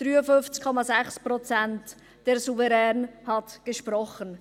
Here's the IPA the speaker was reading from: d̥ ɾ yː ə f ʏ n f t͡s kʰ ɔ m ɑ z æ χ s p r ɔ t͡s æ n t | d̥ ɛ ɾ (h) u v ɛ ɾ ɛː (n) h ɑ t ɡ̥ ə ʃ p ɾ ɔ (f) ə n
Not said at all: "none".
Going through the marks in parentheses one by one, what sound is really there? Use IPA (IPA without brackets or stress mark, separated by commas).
s, n, χ